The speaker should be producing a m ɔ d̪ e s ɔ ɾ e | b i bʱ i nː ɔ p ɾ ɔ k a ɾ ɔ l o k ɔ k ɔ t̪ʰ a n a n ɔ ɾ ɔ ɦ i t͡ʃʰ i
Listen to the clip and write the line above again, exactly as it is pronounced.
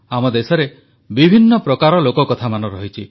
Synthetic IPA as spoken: a m ɔ d̪ e s ɔ ɾ e | b i bʱ i nː ɔ p ɾ ɔ k a ɾ ɔ l o k ɔ k ɔ t̪ʰ a m a n ɔ ɾ ɔ ɦ i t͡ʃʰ i

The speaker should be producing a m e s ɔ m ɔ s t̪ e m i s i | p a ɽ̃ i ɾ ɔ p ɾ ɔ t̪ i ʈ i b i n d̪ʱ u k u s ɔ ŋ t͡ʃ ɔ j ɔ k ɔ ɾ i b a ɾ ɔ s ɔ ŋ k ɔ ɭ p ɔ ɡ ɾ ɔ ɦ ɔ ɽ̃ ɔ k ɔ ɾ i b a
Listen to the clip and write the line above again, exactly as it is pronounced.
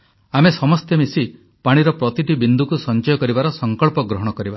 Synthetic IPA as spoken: a m e s ɔ m ɔ s t̪ e m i s i | p a ɽ̃ i ɾ ɔ p ɾ ɔ t̪ i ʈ i b i n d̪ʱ u k u s ɔ n t͡ʃ ɔ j ɔ k ɔ ɾ i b a ɾ ɔ s ɔ ŋ k ɔ ɭ p ɔ ɡ ɾ ɔ ɦ ɔ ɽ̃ ɔ k ɔ ɾ i b a

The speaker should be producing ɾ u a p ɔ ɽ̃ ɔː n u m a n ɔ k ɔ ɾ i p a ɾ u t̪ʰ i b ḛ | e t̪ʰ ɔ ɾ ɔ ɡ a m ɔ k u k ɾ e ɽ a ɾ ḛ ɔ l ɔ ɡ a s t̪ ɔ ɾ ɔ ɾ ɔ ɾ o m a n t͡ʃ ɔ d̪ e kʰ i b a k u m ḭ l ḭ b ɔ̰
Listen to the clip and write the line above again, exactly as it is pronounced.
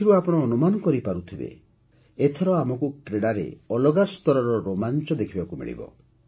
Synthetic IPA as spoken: ɾ u a p ɔ ɽ̃ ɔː n u m a n ɔ k ɔ ɾ i p a ɾ u t̪ʰ i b ḛ | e t̪ʰ ɔ ɾ ɔ a m ɔ k u k ɾ e ɽ a ɾ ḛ ɔ l ɔ ɡ a s t̪ ɔ ɾ ɔ ɾ ɔ ɾ o m a n t͡ʃ ɔ d̪ e kʰ i b a k u m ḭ ɭ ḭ b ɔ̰

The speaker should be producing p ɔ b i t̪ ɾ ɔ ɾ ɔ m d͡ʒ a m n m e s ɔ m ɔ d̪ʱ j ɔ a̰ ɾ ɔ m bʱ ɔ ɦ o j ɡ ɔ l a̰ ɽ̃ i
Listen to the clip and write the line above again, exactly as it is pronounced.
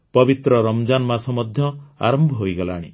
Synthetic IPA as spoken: p ɔ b i t̪ ɾ ɔ ɾ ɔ m d͡ʒ a n m a s ɔ m ɔ d̪ʱ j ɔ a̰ ɾ ɔ m bʱ ɔ ɦ o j ɡ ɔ l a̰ ɽ̃ i

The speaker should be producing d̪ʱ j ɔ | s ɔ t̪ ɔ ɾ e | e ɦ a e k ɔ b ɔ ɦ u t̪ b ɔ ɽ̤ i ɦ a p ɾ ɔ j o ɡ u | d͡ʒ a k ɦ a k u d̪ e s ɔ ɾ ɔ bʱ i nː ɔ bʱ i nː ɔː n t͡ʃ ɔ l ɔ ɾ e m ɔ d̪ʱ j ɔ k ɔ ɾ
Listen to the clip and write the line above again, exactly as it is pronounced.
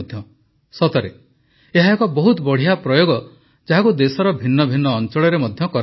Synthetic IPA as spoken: d̪ʱ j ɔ | s ɔ t̪ ɔ ɾ e | e ɦ a e k ɔ b ɔ ɦ u t̪ b ɔ ɽ̤ i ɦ a p ɾ ɔ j o ɡ ɔ | d͡ʒ a ɦ a k u d̪ e s ɔ ɾ ɔ bʱ i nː ɔ bʱ i nː ɔː n t͡ʃ ɔ ɭ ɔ ɾ e m ɔ d̪ʱ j ɔ k ɔ ɾ

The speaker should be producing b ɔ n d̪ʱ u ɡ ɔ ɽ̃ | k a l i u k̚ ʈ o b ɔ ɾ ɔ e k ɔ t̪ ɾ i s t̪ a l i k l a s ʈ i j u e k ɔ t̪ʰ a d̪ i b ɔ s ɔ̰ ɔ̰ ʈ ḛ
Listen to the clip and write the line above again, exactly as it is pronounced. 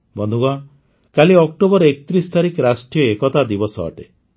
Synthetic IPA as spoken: b ɔ n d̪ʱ u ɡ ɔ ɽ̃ | k a l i ɔ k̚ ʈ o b ɔ ɾ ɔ e k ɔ t̪ ɾ i s t̪ a ɾ i k ɾ a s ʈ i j ɔ e k ɔ t̪ a d̪ i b ɔ s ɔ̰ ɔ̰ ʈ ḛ

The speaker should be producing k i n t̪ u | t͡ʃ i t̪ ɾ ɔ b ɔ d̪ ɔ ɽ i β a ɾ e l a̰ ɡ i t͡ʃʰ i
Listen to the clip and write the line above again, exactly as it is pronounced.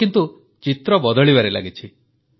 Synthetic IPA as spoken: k i n t̪ u | t͡ʃ i t̪ ɾ ɔ b ɔ d̪ ɔ ɭ i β a ɾ e l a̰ ɡ i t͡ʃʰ i

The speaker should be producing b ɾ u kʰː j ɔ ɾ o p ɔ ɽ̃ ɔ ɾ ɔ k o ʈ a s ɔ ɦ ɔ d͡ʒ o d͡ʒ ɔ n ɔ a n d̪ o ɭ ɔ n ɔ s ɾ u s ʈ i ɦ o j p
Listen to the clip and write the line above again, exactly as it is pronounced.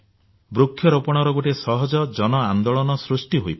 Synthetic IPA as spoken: b ɾ u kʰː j ɔ ɾ o p ɔ ɽ̃ ɔ ɾ ɔ ɡ o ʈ e s ɔ ɦ ɔ d͡ʒ ɔ d͡ʒ ɔ n ɔ a n d̪ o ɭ ɔ n ɔ s ɾ u s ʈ i ɦ o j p

